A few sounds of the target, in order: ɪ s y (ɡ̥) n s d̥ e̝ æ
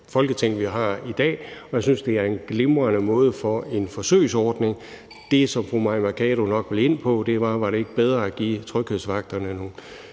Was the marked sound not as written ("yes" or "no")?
yes